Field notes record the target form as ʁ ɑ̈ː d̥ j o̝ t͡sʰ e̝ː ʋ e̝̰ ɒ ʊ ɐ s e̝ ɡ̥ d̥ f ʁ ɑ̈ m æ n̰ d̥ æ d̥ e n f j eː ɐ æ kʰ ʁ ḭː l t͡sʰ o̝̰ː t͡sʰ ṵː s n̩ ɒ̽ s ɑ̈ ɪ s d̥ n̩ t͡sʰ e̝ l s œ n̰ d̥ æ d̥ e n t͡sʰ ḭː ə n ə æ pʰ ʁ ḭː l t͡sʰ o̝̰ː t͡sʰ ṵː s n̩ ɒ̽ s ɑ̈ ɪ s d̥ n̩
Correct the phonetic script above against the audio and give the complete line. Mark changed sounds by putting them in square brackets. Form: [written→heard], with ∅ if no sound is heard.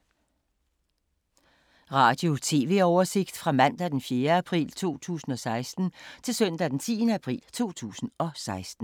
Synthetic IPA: ʁ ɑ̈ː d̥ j o̝ t͡sʰ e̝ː ʋ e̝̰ ɒ ʊ ɐ s e̝ ɡ̥ d̥ f ʁ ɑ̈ m æ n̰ d̥ æ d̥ e n f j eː ɐ æ [kʰ→pʰ] ʁ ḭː l t͡sʰ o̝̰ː t͡sʰ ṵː s n̩ ɒ̽ s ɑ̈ ɪ s d̥ n̩ t͡sʰ e̝ l s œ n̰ d̥ æ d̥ e n t͡sʰ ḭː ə n ə æ pʰ ʁ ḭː l t͡sʰ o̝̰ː t͡sʰ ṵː s n̩ ɒ̽ s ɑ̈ ɪ s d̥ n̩